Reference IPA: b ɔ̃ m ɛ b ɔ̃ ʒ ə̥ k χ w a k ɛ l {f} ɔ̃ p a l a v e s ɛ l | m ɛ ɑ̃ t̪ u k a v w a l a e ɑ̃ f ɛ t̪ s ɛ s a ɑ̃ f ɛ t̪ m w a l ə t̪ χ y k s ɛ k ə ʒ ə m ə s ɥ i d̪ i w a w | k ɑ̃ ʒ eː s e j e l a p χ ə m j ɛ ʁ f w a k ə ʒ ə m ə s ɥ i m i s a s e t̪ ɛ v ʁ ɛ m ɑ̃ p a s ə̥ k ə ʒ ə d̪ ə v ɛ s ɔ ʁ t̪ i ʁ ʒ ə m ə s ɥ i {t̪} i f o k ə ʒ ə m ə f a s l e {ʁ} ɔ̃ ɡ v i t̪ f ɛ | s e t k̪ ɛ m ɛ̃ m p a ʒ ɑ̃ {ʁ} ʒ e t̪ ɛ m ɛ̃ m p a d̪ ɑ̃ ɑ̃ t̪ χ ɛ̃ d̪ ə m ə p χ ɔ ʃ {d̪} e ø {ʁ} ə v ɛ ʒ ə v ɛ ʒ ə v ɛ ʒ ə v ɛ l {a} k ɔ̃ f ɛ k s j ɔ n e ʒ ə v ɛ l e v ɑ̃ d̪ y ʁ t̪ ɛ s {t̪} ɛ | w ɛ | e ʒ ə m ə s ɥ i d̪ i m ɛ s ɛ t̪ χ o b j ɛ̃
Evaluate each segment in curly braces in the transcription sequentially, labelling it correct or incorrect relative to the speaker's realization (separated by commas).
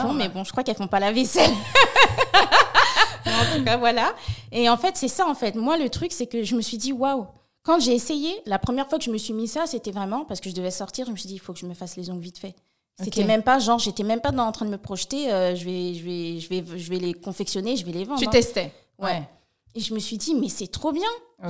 correct, incorrect, incorrect, correct, incorrect, incorrect, incorrect, correct